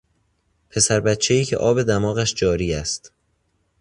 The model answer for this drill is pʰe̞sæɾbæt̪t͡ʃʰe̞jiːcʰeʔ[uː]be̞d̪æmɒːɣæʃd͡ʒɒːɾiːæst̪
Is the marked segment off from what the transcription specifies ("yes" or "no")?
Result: yes